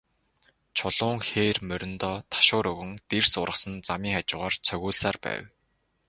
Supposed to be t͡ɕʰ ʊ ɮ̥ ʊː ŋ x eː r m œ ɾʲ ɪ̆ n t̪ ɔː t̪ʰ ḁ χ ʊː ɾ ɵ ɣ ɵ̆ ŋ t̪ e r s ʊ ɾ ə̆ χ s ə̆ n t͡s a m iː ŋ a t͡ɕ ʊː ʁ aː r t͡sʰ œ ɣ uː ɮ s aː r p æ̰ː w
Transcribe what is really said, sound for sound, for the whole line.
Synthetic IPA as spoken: t͡ɕʰ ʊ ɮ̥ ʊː ŋ x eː r m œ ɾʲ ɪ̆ n t̪ ɔː t̪ʰ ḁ ʃ ʊː ɾ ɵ ɣ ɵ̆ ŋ t̪ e r s ʊ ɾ ə̆ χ s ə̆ n t͡s a m iː ŋ a t͡ɕ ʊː ʁ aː r t͡sʰ œ ɣ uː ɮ s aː r p æ̰ː w